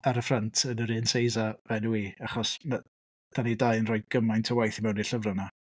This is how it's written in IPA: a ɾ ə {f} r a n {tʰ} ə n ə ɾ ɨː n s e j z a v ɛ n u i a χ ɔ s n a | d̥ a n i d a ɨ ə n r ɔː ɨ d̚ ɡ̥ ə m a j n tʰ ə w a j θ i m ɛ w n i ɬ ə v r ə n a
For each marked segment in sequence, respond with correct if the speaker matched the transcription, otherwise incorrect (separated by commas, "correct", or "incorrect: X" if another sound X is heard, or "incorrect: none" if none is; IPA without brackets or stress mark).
correct, correct